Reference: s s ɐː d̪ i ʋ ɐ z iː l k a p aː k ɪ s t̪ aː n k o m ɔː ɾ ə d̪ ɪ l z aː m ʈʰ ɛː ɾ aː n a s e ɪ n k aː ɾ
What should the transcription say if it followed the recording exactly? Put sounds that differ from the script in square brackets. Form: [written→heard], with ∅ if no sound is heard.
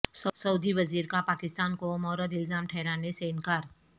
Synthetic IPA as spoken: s s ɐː d̪ i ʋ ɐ z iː [l→ɾ] k a p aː k ɪ s t̪ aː n k o m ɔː ɾ ə d̪ ɪ l z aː m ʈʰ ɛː ɾ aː n [a→e] s e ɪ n k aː ɾ